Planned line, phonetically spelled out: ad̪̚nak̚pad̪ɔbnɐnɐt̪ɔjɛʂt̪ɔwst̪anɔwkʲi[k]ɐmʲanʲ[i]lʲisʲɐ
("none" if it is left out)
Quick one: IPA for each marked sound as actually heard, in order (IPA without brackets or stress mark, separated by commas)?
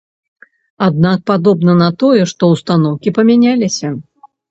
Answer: p, a